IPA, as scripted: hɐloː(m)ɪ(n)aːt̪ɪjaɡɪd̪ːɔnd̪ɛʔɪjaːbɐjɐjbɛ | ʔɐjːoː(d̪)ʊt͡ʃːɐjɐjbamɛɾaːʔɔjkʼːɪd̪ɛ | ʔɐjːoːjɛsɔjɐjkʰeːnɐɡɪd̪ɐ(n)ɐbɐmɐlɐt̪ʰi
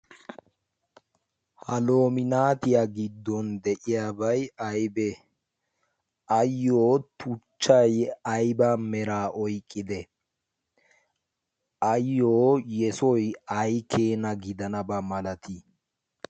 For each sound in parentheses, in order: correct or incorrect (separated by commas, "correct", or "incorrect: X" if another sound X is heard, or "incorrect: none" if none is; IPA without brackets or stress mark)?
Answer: correct, correct, incorrect: t̪, correct